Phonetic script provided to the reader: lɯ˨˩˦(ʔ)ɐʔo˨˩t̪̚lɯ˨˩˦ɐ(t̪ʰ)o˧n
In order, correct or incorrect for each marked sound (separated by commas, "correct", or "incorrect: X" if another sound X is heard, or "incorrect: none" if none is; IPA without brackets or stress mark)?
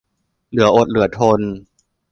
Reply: incorrect: none, correct